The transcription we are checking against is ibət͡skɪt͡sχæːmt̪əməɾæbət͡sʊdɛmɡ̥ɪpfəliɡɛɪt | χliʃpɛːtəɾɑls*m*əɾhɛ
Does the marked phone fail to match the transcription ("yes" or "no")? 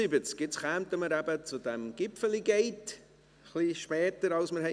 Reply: no